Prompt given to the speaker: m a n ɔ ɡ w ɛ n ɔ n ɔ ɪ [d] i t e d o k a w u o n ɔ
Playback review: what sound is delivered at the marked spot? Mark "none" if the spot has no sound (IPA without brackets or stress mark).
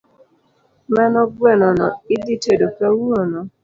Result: d